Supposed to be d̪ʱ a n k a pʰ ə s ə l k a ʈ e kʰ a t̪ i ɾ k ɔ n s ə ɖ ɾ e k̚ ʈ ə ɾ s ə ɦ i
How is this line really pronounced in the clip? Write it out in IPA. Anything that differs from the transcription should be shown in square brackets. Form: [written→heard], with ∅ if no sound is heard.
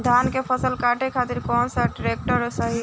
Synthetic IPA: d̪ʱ a n k [a→e] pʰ ə s ə l k a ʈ e kʰ a t̪ i ɾ k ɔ n s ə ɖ ɾ e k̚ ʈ ə ɾ s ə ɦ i

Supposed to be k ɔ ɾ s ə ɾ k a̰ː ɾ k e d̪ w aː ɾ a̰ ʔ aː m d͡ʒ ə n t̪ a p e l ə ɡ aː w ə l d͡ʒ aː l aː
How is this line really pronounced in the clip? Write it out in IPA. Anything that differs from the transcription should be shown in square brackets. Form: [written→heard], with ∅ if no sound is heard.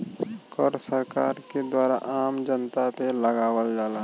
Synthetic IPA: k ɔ ɾ s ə ɾ k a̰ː ɾ k e d̪ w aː ɾ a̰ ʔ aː m d͡ʒ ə n t̪ a p e l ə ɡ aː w ə l d͡ʒ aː l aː

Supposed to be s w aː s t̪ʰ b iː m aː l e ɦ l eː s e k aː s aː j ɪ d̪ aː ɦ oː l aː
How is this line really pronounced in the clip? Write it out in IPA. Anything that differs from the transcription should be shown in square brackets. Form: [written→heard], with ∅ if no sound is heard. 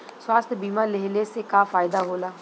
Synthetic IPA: s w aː s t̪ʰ b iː m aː l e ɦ l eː s e k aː [s→f] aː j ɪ d̪ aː ɦ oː l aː

